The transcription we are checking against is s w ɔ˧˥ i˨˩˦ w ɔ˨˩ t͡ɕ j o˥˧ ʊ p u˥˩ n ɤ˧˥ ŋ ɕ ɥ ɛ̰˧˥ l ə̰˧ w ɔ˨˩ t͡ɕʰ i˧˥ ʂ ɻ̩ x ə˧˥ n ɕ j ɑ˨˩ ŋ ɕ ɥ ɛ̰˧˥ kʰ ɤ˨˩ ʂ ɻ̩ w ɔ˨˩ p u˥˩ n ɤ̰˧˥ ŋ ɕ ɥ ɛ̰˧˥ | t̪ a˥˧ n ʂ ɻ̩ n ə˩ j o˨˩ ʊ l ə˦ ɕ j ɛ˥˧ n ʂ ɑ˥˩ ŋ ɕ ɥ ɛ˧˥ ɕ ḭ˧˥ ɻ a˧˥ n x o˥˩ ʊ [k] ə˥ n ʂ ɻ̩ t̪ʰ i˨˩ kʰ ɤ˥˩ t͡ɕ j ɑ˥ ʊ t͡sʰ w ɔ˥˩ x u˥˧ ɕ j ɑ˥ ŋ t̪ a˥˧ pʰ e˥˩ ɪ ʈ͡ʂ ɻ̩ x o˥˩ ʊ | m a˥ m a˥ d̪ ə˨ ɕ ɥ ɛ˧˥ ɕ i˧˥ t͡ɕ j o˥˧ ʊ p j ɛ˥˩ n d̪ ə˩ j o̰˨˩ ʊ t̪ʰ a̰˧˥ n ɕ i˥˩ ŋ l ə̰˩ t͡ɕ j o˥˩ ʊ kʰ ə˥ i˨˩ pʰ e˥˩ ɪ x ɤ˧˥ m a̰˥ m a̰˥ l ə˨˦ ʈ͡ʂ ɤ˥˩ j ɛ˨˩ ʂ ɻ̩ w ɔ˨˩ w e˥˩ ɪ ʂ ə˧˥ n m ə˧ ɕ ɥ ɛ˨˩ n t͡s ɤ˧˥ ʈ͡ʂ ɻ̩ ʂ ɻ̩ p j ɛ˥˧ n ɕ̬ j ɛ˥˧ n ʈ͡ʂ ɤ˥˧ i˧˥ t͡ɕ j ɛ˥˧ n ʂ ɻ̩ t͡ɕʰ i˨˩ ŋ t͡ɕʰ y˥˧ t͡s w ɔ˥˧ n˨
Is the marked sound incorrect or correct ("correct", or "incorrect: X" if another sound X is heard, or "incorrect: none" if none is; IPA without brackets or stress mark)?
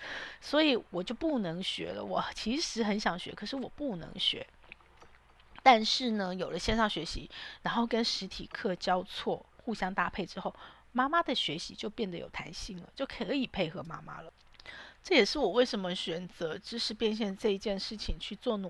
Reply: correct